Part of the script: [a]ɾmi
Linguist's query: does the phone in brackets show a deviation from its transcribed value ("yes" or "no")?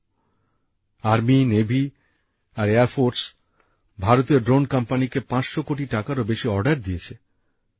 no